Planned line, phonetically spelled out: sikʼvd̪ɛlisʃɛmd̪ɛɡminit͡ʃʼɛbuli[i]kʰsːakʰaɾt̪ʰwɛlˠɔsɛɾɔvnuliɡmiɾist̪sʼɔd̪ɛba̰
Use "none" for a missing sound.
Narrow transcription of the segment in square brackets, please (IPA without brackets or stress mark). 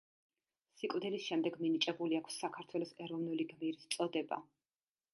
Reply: a